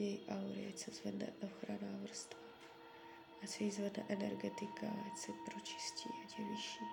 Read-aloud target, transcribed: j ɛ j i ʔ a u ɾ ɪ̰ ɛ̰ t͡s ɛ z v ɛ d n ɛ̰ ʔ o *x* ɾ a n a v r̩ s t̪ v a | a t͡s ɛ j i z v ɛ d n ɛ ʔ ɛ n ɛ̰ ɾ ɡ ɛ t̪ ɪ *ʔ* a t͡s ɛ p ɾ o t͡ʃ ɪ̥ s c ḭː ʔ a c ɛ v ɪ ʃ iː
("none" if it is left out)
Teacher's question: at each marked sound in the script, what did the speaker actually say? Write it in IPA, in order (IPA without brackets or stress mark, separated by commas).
x, k